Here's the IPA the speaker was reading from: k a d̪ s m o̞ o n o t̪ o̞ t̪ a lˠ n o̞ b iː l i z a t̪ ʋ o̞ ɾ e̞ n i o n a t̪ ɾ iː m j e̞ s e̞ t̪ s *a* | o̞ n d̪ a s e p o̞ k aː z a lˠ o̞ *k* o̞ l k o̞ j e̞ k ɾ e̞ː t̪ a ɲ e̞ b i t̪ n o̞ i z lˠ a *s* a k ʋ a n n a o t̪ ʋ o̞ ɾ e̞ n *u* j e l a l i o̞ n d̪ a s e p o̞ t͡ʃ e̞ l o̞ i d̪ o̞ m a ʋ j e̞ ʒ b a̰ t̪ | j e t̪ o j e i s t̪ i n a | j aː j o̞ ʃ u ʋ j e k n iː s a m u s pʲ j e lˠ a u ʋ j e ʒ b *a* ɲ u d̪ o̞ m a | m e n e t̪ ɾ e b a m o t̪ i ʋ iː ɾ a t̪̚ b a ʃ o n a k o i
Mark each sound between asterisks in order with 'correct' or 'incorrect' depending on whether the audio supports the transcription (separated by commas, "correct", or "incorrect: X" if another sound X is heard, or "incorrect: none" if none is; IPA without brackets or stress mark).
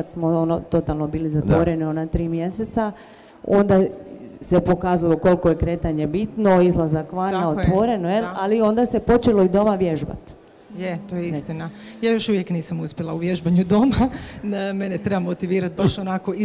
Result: correct, correct, incorrect: z, incorrect: o, correct